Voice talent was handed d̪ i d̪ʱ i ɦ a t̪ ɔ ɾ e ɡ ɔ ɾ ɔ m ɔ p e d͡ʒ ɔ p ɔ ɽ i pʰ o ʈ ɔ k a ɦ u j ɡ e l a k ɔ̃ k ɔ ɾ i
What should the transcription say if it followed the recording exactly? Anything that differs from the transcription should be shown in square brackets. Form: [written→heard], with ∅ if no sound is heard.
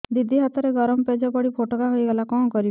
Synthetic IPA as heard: d̪ i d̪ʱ i ɦ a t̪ ɔ ɾ e ɡ ɔ ɾ ɔ m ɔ p e d͡ʒ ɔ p ɔ ɽ i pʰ o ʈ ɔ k a ɦ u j ɡ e l a k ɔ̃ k ɔ ɾ i